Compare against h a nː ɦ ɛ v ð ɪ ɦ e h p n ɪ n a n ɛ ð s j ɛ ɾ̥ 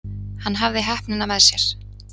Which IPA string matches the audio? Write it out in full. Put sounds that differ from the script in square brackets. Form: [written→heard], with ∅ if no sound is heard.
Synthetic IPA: h a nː ɦ [ɛ→a] v ð ɪ ɦ [e→ɛ] h p n ɪ n a [n→m] ɛ ð s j ɛ ɾ̥

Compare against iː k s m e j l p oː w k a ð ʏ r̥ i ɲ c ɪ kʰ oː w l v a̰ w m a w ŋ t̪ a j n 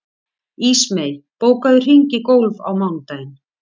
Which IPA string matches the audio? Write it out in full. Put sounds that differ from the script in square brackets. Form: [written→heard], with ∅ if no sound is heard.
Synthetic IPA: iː [k→∅] s m e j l p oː w k a ð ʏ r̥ i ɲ c ɪ [kʰ→k] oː w l v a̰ w m a w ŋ t̪ a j n

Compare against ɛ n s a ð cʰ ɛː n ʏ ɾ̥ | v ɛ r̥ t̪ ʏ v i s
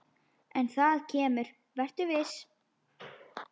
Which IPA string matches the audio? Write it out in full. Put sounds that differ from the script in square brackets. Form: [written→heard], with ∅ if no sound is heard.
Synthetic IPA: ɛ n [s→θ] a ð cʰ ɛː [n→m] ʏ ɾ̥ | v ɛ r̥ t̪ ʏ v [i→ɪ] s

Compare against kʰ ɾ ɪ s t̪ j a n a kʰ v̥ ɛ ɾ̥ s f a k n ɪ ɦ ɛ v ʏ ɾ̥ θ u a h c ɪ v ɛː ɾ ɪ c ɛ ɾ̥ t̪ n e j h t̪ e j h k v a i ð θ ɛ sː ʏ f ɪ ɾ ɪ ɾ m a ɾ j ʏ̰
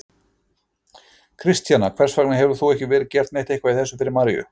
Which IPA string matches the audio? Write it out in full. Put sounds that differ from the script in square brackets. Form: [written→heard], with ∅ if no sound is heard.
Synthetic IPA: kʰ ɾ ɪ s t̪ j a n a kʰ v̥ ɛ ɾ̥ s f a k n ɪ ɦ ɛ v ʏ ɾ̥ θ u [a→ɛ] h c ɪ v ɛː ɾ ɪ c ɛ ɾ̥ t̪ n e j h t̪ e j h k v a i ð θ ɛ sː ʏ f ɪ ɾ ɪ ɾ m a ɾ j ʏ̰

